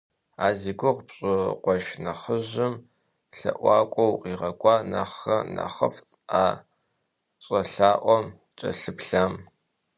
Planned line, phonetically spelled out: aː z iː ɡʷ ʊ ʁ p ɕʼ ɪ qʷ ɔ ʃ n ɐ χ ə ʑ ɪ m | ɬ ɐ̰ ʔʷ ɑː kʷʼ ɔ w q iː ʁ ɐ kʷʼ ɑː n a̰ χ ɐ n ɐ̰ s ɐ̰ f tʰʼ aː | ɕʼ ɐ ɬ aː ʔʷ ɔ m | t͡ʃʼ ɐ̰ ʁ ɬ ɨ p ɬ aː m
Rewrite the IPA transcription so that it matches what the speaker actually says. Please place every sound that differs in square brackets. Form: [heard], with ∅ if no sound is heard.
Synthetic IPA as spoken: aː z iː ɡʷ ʊ ʁ p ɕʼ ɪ qʷ ɔ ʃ n ɐ χ ə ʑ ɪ m | ɬ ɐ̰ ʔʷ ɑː kʷʼ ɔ w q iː ʁ ɐ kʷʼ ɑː n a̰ χ ɐ n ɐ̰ [χ] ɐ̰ f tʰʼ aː | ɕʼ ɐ ɬ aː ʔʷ ɔ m | t͡ʃʼ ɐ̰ [∅] ɬ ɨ p ɬ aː m